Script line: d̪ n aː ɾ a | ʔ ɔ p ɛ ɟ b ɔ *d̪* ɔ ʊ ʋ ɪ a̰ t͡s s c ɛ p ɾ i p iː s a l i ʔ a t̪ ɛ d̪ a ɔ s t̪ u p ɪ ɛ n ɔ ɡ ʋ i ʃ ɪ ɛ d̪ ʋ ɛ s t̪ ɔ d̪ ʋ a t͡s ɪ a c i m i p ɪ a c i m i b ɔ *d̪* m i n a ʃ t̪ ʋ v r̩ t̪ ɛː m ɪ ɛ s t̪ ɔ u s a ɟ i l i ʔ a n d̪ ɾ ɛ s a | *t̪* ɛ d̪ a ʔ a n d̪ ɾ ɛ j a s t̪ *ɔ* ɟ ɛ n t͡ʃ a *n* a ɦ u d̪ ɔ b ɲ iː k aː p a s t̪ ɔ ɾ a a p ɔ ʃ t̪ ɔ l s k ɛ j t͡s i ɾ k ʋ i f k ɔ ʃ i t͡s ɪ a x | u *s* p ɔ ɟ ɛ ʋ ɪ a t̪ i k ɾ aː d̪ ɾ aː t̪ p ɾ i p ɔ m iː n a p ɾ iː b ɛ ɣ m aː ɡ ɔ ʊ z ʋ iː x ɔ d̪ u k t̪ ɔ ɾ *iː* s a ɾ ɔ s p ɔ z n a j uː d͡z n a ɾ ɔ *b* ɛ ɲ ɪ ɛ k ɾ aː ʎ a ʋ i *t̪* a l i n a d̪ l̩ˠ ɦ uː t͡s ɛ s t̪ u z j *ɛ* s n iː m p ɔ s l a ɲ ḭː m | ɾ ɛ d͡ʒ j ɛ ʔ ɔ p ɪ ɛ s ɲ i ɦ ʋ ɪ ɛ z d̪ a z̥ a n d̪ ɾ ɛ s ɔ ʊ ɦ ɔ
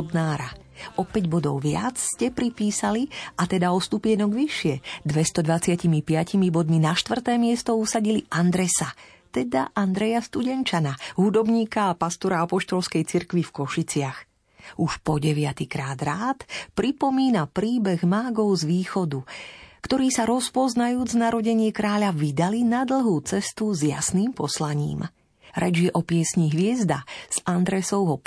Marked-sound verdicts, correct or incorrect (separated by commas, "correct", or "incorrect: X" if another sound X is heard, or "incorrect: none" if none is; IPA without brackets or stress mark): correct, correct, correct, incorrect: u, correct, incorrect: ʃ, correct, incorrect: ɟ, incorrect: d̪, incorrect: a